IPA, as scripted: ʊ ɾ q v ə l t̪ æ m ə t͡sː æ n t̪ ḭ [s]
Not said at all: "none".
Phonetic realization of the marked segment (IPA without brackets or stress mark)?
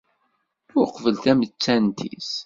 s